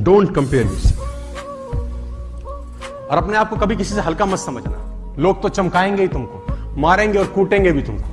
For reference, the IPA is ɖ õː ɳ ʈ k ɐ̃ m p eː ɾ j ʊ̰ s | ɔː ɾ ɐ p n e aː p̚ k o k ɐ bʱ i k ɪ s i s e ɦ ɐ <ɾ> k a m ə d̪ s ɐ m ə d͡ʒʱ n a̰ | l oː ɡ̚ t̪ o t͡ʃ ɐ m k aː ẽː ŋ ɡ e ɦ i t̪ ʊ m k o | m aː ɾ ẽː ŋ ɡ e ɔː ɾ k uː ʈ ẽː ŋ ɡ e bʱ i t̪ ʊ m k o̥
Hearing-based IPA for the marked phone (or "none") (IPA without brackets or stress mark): l